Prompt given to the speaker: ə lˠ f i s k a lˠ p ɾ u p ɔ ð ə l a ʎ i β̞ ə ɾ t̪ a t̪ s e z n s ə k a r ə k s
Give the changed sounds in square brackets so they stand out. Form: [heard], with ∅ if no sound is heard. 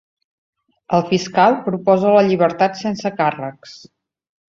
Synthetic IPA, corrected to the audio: ə lˠ f i s k a lˠ p ɾ u p ɔ [z] ə l [ə] ʎ i β̞ ə ɾ t̪ a t̪ s e [∅] n s ə k a r ə k s